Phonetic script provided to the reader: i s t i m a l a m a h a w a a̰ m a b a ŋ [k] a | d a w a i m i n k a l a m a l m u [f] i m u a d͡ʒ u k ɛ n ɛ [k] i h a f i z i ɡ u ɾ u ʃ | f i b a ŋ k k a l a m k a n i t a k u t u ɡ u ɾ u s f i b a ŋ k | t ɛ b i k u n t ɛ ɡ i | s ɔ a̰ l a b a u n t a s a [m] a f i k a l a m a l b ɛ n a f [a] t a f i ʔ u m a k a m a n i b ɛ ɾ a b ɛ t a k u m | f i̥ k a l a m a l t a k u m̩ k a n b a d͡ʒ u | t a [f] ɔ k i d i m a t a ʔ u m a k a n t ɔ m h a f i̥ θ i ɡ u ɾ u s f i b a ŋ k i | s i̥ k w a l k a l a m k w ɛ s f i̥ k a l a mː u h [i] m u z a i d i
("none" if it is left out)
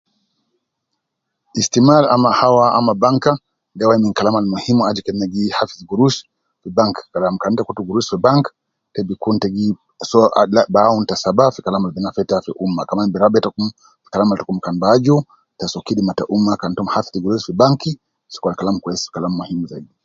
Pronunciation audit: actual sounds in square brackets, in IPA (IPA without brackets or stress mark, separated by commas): k, h, ɡ, b, ɛ, s, i